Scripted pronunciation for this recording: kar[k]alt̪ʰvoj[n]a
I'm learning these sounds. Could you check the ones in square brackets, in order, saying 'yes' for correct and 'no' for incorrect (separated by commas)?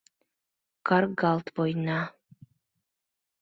no, yes